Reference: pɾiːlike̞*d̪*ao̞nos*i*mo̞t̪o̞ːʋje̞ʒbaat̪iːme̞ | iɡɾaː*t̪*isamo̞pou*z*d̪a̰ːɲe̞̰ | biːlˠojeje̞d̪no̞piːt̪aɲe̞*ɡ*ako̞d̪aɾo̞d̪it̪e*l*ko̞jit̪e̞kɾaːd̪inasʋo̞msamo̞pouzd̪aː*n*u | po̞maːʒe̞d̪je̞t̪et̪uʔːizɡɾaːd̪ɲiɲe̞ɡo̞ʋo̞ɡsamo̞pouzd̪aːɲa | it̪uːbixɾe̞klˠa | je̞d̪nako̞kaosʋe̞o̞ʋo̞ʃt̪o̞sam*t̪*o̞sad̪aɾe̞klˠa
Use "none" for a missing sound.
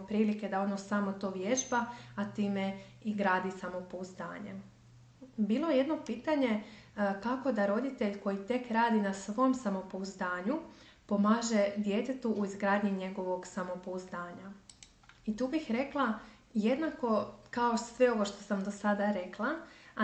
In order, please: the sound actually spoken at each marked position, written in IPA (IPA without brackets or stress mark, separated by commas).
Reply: d̪, a, d̪, z, k, ʎ, ɲ, d̪